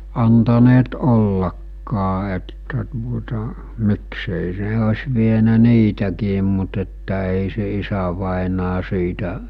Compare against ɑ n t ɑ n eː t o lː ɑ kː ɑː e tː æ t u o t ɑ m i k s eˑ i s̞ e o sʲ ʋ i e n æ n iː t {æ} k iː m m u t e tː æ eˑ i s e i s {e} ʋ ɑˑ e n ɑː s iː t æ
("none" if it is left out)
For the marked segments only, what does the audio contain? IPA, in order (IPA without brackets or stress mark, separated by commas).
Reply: æ, æ